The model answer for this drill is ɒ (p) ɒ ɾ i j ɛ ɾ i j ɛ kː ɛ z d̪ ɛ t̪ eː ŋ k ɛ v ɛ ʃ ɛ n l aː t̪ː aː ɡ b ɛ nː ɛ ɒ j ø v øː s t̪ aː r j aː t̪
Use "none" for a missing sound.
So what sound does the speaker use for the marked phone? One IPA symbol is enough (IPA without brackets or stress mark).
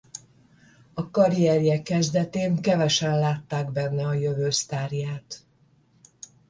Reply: k